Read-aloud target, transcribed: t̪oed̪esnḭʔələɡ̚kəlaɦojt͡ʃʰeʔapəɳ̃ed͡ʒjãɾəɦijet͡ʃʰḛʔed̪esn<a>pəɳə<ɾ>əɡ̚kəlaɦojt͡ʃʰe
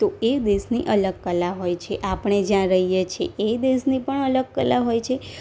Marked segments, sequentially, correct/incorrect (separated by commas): incorrect, incorrect